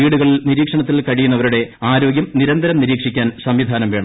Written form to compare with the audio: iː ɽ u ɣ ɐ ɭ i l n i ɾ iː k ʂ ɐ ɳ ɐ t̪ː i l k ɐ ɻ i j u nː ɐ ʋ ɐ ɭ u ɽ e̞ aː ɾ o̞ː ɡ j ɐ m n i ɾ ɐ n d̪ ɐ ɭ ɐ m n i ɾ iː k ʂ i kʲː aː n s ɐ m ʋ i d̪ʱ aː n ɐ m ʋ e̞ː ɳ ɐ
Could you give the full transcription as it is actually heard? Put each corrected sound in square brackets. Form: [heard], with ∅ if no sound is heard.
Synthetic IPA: iː ɽ u ɣ ɐ ɭ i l n i ɾ iː k ʂ ɐ ɳ ɐ t̪ː i l k ɐ ɻ i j u nː ɐ ʋ ɐ [ɾ] u ɽ e̞ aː ɾ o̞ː ɡ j ɐ m n i ɾ ɐ n d̪ ɐ [ɾ] ɐ m n i ɾ iː k ʂ i kʲː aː n s ɐ m ʋ i d̪ʱ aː n ɐ m ʋ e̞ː ɳ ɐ